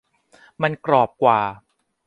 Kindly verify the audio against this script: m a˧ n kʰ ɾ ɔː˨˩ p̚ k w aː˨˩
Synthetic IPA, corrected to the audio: m a˧ n k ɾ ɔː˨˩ p̚ k w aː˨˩